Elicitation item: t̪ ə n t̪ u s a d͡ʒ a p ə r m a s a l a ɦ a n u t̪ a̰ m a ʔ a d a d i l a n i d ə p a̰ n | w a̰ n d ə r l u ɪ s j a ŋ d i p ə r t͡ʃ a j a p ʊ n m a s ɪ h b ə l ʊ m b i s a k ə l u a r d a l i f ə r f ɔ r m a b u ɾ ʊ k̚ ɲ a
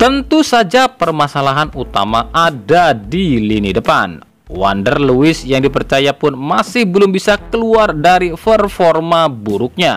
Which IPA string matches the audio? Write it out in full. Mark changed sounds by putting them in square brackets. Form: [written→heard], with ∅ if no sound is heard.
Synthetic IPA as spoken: t̪ ə n t̪ u s a d͡ʒ a p ə r m a s a l a ɦ a n u t̪ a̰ m a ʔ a d a d i l [a→i] n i d ə p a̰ n | w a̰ n d ə r l u ɪ s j a ŋ d i p ə r t͡ʃ a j a p ʊ n m a s ɪ h b ə l ʊ m b i s a k ə l u a r d a [l→ɾ] i f ə r f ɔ r m a b u ɾ ʊ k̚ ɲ a